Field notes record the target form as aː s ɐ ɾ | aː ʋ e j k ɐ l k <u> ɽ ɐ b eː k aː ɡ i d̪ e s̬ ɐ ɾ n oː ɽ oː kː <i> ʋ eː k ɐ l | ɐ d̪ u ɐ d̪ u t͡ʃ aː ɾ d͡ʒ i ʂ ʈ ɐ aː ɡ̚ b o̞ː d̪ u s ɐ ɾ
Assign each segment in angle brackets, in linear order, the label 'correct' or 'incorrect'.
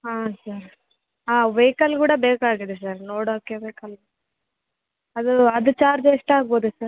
incorrect, incorrect

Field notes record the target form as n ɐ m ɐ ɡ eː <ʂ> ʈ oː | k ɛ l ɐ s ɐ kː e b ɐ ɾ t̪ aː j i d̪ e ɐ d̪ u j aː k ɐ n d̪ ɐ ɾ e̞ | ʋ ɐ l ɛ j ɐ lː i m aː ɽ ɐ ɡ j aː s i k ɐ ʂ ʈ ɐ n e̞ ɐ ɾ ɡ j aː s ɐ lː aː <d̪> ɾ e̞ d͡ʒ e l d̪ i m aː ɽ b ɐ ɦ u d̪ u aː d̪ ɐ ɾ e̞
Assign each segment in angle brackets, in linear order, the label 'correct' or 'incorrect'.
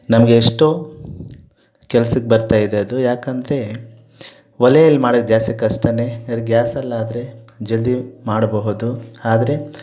correct, correct

